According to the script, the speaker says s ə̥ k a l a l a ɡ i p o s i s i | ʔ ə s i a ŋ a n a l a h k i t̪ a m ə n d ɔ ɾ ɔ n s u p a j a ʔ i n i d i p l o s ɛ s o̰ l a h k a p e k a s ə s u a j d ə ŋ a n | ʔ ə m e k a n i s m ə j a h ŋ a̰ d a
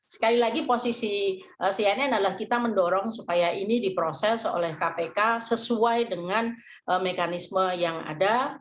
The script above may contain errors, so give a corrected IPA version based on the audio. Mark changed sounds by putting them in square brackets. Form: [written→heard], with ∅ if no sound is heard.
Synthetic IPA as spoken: s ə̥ k a l [a→i] l a ɡ i p o s i s i | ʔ ə s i a [ŋ→n] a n a l a h k i t̪ a m ə n d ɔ ɾ ɔ [n→ŋ] s u p a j a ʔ i n i d i p [l→ɾ] o s ɛ s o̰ l [a→ɛ] h k a p e k a s ə s u a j d ə ŋ a n | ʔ ə m e k a n i s m ə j a [h→∅] ŋ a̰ d a